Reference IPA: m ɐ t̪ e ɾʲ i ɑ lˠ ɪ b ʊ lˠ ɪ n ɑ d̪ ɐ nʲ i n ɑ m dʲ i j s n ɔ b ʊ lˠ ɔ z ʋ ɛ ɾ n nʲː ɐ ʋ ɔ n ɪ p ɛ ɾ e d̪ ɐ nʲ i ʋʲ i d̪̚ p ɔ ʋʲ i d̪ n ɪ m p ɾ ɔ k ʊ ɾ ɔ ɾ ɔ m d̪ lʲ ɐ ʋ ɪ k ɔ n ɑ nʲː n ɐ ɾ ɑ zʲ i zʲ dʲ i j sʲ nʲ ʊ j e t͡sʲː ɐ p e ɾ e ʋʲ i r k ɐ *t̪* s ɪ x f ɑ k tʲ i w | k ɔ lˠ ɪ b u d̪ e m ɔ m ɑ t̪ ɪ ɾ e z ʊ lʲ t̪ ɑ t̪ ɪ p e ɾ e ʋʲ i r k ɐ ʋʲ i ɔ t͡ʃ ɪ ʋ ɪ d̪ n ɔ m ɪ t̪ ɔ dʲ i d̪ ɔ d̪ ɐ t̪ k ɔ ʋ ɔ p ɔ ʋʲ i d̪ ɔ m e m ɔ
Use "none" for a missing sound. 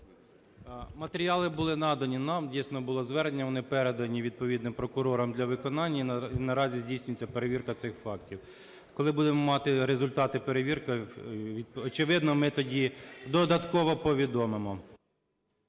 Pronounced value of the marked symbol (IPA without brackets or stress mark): t̪